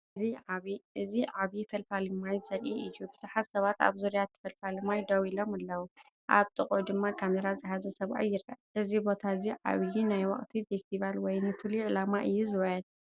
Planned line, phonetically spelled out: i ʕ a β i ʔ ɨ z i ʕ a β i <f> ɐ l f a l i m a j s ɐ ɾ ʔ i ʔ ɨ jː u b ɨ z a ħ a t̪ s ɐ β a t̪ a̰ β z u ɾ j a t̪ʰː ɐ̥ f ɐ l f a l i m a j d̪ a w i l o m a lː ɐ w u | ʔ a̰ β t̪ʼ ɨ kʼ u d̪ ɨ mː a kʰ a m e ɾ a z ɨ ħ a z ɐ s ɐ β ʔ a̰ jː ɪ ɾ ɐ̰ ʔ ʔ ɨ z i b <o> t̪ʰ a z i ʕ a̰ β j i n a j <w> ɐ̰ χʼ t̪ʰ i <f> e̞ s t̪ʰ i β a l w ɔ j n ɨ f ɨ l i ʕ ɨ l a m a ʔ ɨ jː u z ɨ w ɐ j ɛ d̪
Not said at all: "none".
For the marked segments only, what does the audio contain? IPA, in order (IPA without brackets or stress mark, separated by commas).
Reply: f, o, w, f